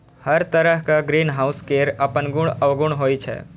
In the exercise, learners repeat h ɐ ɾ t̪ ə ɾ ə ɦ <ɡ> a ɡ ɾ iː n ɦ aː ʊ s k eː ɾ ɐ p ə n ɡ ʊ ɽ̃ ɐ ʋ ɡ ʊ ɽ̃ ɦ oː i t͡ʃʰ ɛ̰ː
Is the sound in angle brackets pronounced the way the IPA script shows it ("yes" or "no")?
no